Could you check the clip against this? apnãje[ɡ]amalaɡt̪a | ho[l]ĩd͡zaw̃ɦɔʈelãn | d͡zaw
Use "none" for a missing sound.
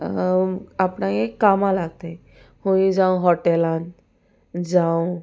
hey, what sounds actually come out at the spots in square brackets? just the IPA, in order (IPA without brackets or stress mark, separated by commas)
k, none